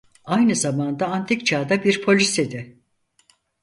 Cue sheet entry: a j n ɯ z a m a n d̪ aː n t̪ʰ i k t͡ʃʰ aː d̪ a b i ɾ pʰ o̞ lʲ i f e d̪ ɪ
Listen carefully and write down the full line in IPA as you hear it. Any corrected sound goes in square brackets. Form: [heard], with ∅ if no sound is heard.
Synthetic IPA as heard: a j n ɯ z a m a n d̪ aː n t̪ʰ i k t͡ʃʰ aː d̪ a b i ɾ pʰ o̞ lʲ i [s] e d̪ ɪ